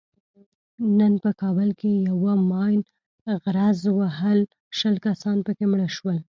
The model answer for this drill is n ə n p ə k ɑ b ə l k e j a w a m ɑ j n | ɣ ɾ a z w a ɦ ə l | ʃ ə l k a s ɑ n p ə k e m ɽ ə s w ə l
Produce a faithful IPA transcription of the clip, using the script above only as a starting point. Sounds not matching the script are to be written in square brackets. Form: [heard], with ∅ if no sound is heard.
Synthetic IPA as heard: n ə n p ə k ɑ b ə l k e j a w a m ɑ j n | ɣ ɾ a z w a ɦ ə l | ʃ ə l k a s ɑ n p ə k e m ɽ ə [ʃ] w ə l